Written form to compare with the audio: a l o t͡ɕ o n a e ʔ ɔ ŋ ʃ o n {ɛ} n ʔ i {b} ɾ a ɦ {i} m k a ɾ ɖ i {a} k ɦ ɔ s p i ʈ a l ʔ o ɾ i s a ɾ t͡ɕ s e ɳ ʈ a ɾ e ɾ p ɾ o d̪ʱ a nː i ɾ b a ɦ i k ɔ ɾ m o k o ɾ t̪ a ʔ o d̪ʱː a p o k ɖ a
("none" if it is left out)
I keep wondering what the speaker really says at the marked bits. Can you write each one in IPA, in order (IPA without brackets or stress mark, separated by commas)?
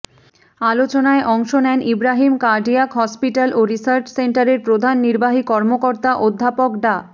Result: ɛ, b, i, a